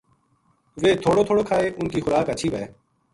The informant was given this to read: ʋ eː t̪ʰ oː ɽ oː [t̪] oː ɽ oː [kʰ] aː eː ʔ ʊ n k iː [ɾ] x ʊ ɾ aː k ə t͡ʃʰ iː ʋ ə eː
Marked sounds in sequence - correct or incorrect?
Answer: incorrect: t̪ʰ, correct, incorrect: none

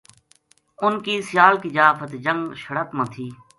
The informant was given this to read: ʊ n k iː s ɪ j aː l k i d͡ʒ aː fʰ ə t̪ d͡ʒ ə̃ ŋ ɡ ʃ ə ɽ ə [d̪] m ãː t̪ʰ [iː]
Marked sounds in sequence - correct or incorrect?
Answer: incorrect: t̪, correct

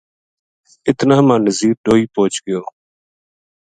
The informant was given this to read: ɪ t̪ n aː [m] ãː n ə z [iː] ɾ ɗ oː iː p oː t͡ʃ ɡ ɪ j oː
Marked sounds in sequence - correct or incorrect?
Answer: correct, correct

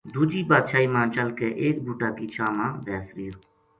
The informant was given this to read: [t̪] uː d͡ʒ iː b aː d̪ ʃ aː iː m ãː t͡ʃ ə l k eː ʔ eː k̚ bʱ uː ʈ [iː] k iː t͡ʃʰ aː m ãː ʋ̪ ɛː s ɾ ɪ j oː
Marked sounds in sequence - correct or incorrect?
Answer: incorrect: d̪, incorrect: aː

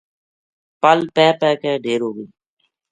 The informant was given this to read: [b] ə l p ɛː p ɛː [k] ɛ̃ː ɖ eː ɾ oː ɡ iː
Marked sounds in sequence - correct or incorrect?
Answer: incorrect: p, correct

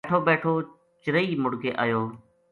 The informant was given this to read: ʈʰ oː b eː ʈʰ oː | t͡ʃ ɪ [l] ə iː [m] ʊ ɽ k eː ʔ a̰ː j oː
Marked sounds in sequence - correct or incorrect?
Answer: incorrect: ɾ, correct

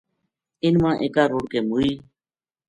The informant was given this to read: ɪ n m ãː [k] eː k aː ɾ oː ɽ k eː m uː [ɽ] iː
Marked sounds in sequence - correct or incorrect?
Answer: incorrect: ʔ, incorrect: none

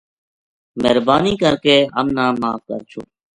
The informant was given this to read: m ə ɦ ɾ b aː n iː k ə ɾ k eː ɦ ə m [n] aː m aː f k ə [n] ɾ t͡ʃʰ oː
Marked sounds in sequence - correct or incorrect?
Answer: correct, incorrect: none

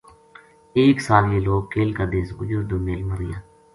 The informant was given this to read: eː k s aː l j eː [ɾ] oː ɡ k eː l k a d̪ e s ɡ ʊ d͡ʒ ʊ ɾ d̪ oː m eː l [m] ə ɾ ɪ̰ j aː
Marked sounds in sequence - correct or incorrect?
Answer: incorrect: l, correct

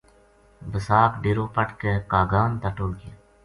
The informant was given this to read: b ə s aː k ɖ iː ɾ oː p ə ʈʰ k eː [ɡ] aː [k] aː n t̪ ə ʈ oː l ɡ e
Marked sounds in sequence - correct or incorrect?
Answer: incorrect: k, incorrect: ɡ

